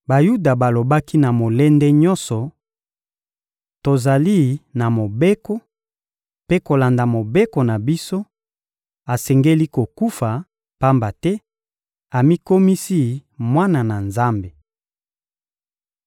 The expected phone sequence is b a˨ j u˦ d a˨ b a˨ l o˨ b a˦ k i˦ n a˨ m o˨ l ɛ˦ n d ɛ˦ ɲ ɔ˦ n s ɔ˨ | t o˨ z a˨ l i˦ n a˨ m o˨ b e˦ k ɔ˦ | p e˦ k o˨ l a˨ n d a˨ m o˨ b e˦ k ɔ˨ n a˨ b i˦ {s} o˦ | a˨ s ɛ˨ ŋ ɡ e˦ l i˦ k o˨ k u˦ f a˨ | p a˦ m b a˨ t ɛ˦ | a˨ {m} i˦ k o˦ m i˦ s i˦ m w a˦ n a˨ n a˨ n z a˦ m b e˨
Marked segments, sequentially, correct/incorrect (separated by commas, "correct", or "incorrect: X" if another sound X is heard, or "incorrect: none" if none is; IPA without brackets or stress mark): correct, correct